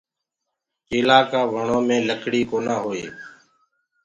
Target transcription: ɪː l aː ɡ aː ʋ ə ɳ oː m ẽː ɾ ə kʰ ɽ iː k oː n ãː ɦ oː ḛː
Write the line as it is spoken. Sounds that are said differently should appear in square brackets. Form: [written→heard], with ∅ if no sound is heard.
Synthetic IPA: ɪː l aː [ɡ→k] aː ʋ ə ɳ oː m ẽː [ɾ→l] ə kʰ ɽ iː k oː n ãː ɦ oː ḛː